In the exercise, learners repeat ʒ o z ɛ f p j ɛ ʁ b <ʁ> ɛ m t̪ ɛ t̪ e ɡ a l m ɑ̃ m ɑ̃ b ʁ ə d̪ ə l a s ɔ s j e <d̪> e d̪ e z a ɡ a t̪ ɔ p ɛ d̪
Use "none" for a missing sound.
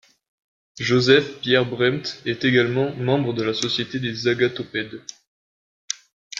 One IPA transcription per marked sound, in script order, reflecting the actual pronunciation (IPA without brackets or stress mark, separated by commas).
ʁ, t̪